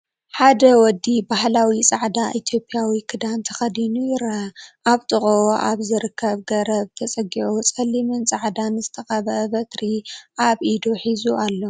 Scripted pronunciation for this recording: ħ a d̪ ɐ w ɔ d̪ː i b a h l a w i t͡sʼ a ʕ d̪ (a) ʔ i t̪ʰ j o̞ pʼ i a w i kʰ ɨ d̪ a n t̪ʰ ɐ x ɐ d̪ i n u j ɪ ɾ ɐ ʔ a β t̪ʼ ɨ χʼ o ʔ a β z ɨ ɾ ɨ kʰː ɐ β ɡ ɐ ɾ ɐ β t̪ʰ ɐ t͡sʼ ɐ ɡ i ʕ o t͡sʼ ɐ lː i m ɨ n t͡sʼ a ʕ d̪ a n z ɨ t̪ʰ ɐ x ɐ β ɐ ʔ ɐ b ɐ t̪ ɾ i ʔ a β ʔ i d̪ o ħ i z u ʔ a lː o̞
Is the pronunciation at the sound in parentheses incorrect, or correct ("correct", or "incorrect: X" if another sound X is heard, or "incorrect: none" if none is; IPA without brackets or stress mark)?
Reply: correct